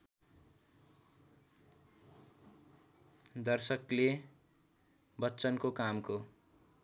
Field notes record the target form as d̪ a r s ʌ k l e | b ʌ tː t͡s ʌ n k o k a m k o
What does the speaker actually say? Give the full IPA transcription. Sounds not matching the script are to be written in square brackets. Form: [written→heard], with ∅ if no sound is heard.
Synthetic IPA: d̪ [a→ʌ] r s ʌ k l e | b ʌ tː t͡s ʌ n k o k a m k o